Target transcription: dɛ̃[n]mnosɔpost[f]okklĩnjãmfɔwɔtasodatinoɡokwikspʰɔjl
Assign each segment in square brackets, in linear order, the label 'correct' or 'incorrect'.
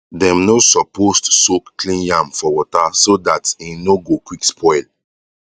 incorrect, incorrect

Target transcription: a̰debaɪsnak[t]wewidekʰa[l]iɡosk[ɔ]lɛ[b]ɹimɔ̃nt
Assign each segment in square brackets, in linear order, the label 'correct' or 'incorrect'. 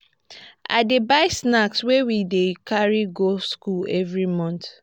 incorrect, incorrect, incorrect, incorrect

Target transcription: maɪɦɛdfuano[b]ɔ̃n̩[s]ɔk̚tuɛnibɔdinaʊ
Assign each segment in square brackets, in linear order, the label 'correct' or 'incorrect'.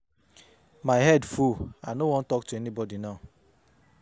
incorrect, incorrect

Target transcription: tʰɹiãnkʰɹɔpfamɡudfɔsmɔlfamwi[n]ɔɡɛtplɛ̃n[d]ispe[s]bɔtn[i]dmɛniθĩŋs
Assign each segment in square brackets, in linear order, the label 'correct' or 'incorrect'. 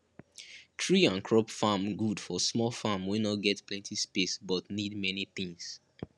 correct, incorrect, correct, correct

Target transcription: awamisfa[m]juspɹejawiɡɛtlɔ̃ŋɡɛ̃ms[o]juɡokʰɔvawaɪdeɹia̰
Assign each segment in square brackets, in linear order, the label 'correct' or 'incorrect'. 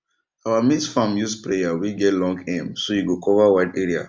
correct, correct

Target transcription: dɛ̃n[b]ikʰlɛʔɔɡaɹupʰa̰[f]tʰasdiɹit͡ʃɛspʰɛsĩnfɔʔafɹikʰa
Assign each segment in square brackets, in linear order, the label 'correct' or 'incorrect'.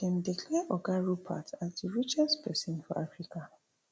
incorrect, incorrect

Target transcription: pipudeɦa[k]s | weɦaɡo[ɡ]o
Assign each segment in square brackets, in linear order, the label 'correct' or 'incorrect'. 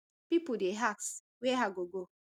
correct, correct

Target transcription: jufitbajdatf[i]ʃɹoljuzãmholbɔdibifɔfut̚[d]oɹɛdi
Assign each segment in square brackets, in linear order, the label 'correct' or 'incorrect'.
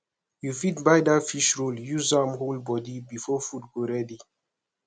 correct, incorrect

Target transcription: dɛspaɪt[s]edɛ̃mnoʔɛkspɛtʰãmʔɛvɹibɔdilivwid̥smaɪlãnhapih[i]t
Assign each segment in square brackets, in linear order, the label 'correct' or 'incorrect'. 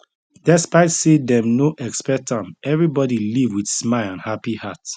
correct, incorrect

